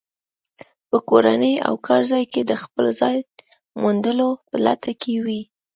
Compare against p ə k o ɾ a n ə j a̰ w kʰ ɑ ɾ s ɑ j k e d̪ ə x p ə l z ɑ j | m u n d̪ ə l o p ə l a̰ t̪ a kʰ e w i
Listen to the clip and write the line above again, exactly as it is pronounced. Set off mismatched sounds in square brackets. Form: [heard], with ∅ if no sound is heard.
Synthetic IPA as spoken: p ə k o ɾ a n ə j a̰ w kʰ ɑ ɾ [z] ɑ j k e d̪ ə x p ə l z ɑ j | m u n d̪ ə l o p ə l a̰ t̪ a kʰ e w i